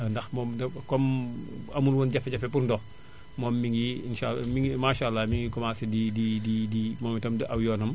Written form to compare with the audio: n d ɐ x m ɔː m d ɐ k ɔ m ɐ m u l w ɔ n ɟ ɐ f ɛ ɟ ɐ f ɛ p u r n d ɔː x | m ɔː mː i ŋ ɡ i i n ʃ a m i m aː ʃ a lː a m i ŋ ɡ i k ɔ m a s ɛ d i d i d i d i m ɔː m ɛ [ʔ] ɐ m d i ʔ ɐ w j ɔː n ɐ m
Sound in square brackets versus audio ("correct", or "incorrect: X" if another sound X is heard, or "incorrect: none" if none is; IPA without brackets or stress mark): incorrect: t